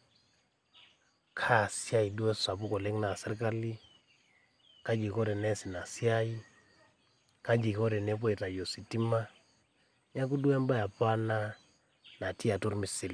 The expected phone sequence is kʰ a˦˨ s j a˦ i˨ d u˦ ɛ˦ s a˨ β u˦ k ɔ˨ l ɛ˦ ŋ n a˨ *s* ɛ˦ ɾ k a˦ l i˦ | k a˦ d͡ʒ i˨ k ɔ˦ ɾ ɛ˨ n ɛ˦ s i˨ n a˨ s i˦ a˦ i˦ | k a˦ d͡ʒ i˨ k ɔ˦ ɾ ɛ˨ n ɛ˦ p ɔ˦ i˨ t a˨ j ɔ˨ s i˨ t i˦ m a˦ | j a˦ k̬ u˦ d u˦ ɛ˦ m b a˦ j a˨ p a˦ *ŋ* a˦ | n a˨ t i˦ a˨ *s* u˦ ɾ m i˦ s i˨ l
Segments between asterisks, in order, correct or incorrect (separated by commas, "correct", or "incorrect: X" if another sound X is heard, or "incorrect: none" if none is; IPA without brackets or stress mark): correct, incorrect: n, incorrect: t